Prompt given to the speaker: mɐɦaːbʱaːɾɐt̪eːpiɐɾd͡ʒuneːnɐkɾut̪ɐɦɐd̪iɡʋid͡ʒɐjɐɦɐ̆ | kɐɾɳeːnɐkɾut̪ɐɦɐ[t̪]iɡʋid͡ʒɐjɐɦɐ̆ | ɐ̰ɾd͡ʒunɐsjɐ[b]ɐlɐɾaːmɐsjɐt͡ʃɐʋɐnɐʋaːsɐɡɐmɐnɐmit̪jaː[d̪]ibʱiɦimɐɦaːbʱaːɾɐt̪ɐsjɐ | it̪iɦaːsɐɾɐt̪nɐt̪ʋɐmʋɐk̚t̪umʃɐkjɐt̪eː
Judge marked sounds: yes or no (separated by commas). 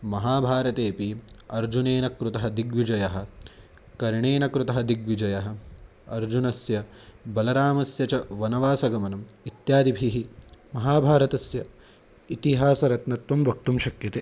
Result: no, yes, yes